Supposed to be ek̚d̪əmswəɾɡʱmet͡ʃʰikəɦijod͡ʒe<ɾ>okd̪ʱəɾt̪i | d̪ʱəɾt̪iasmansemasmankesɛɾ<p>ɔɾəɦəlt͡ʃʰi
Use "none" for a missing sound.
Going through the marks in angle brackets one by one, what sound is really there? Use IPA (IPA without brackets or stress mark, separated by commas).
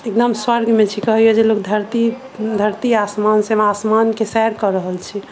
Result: l, k